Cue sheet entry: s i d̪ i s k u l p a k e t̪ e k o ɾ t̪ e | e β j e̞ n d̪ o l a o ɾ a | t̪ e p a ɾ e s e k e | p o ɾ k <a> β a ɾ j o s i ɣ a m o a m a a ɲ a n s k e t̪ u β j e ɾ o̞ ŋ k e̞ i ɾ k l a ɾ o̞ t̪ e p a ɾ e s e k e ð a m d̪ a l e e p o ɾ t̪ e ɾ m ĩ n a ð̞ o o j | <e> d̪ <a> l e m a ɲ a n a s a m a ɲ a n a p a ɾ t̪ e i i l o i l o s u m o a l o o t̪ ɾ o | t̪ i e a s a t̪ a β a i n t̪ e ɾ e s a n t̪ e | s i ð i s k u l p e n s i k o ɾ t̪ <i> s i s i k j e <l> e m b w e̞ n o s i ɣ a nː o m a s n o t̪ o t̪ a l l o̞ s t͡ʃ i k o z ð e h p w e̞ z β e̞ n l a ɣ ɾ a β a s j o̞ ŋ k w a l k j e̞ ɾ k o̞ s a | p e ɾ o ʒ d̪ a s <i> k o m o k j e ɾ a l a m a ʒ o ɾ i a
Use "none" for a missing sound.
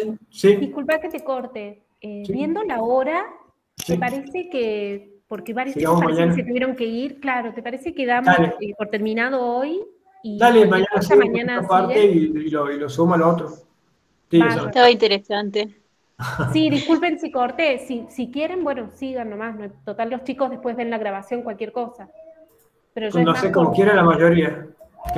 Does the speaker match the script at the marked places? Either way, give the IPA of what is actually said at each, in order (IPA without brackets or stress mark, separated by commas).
e, i, a, e, ɾ, e